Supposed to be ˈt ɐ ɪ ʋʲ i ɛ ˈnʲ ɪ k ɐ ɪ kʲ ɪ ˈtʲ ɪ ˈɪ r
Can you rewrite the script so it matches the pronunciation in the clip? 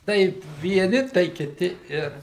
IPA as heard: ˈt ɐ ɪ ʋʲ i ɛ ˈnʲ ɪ t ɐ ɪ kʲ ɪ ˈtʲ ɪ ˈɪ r